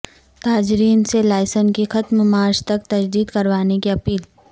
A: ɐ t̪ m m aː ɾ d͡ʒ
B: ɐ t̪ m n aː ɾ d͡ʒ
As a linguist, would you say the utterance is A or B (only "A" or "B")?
A